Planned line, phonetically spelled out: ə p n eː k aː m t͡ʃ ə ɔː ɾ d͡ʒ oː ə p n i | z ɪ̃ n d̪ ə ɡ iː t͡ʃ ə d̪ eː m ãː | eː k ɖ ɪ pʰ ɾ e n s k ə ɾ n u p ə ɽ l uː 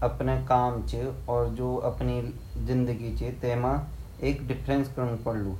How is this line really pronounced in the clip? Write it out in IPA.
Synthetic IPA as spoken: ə p n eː k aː m t͡ʃ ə ɔː ɾ d͡ʒ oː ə p n i | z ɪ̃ n d̪ ə ɡ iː t͡ʃ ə t̪ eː m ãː | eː k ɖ ɪ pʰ ɾ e n s k ə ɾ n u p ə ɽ l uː